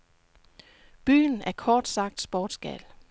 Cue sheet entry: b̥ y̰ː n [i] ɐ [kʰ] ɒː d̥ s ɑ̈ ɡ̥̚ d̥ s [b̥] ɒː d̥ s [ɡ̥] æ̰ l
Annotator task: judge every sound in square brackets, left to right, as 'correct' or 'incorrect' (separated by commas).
incorrect, correct, correct, correct